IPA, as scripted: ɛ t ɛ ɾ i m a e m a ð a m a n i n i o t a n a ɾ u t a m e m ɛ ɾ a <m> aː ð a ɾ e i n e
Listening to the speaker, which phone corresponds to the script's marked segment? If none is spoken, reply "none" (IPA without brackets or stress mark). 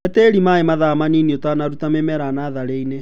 n